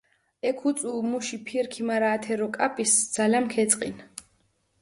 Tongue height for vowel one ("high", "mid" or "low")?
mid